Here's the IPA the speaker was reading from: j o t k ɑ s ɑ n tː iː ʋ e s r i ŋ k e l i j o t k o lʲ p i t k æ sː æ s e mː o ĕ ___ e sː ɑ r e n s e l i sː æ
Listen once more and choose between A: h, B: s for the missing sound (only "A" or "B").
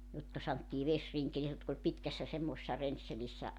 B